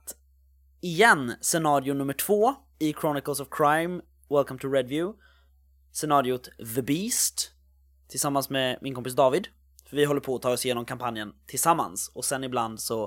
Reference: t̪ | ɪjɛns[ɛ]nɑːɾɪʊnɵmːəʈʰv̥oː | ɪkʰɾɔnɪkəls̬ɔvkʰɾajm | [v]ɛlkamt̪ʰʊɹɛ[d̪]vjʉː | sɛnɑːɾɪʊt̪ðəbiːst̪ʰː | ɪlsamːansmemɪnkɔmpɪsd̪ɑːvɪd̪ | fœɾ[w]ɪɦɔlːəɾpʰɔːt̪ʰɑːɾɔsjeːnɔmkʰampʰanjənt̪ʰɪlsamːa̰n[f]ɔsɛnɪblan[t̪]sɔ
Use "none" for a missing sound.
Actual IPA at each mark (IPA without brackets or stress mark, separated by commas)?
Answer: ɛ, w, d̪, v, s, d̪